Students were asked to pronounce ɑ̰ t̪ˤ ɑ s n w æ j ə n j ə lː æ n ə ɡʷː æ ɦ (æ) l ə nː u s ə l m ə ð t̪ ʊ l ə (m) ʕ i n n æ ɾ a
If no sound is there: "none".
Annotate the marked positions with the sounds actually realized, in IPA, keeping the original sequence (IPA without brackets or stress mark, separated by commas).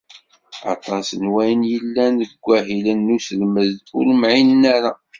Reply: i, m